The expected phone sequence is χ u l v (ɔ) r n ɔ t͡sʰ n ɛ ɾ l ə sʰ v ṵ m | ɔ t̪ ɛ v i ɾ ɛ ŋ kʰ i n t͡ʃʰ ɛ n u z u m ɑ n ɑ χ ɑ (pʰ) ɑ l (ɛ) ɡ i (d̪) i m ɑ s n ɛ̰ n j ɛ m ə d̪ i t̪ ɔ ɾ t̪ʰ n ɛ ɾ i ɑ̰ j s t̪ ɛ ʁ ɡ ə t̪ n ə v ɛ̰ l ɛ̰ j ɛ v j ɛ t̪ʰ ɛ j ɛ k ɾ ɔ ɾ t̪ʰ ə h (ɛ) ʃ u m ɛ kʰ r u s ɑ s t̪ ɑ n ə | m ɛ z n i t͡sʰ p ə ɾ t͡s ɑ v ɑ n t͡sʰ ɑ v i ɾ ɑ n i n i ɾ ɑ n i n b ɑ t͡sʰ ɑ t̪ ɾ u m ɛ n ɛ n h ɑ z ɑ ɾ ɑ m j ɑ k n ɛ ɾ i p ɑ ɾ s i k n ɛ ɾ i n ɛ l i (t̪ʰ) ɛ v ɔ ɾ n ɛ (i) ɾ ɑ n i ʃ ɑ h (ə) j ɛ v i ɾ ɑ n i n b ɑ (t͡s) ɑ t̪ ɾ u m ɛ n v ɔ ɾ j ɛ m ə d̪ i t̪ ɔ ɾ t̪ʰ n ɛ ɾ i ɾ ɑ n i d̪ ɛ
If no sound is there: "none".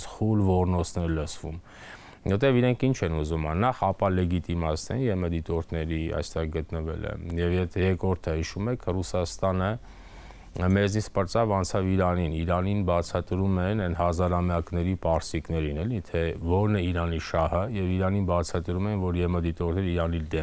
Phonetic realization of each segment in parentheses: ɔ, p, ɛ, t̪, i, t̪ʰ, i, ə, t͡sʰ

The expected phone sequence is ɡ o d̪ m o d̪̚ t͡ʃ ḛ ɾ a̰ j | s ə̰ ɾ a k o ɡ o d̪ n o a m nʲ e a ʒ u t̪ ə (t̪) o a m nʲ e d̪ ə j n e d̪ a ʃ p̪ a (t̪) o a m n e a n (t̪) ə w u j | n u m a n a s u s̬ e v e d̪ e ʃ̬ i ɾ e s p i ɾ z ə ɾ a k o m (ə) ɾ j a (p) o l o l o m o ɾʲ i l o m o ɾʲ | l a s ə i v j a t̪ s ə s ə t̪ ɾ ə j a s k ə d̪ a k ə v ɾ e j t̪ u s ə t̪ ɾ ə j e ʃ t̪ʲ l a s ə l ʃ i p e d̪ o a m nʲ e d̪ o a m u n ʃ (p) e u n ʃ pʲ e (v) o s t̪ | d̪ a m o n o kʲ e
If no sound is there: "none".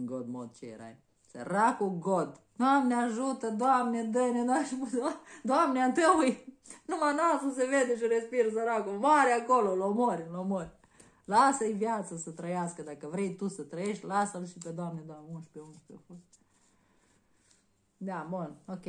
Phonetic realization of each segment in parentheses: d̪, d̪, t̪, a, k, p, f

